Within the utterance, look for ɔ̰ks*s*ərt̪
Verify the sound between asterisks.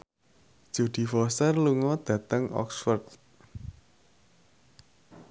incorrect: f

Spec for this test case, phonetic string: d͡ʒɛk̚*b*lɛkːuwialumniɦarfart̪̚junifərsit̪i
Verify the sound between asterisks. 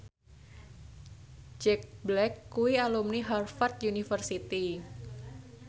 correct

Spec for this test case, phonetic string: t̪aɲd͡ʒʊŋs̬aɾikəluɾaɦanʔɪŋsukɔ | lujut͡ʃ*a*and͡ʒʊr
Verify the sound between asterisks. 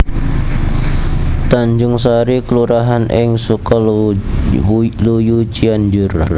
incorrect: i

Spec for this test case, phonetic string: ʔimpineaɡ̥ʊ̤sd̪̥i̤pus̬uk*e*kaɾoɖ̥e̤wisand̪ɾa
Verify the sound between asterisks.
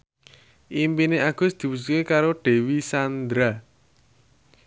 correct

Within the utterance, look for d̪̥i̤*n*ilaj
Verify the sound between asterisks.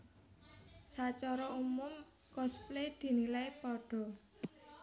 correct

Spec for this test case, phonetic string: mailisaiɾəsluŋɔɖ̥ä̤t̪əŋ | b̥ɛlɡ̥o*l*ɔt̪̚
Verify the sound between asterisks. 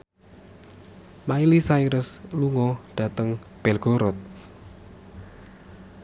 incorrect: ɾ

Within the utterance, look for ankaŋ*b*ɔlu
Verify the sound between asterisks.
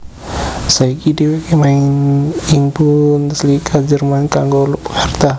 incorrect: ɡ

